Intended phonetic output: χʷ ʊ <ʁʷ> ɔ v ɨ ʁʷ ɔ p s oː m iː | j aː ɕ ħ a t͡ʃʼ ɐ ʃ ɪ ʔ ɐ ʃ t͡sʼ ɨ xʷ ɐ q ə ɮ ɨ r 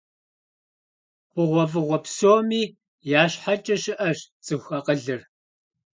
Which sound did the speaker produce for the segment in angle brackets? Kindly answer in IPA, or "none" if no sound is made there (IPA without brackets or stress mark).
ʁʷ